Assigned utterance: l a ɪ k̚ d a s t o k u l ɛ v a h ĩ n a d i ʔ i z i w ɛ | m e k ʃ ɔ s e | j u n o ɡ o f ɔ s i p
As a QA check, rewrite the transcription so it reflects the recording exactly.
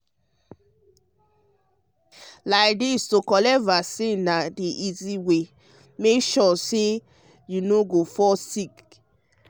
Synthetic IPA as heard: l a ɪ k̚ d i s t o k ɔ l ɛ v a s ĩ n a d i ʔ i z i w e | m e k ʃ ɔ s e | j u n o ɡ o f ɔ s i k